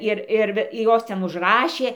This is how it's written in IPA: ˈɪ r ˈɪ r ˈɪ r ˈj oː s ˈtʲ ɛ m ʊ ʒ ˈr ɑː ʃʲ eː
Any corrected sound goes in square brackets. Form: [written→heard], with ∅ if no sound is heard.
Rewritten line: ˈɪ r ˈɪ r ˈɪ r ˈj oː s ˈtʲ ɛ [m→n] ʊ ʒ ˈr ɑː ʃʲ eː